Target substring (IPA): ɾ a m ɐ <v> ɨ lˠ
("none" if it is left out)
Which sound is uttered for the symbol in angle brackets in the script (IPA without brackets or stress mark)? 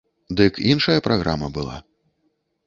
b